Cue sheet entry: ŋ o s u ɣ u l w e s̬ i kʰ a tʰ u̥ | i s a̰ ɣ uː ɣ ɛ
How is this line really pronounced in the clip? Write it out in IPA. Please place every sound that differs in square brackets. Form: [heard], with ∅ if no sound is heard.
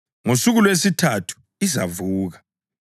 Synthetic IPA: ŋ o s u ɣ u l w e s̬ i [tʰ] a tʰ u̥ | i [z] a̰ [v] uː ɣ [a]